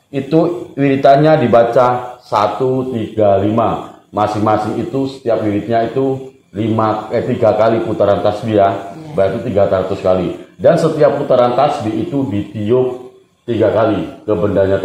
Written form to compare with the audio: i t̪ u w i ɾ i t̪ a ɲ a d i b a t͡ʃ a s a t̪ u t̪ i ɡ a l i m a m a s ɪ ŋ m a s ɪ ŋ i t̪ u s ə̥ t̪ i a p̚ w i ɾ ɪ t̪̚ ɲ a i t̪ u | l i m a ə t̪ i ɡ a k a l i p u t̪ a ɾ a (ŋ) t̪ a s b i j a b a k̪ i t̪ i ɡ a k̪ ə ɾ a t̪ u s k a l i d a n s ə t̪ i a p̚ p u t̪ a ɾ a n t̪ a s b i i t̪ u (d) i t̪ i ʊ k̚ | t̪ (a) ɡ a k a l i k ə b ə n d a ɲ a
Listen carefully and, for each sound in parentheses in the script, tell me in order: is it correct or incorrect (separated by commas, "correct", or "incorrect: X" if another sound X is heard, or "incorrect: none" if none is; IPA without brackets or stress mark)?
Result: incorrect: n, correct, incorrect: i